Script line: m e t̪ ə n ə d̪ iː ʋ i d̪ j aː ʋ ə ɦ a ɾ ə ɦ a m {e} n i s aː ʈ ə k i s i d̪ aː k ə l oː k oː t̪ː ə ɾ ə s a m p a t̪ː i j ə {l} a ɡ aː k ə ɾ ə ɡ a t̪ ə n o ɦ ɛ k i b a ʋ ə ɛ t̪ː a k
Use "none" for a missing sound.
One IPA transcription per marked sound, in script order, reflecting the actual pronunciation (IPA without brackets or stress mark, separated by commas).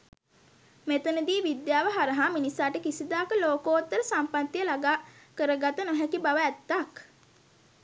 i, l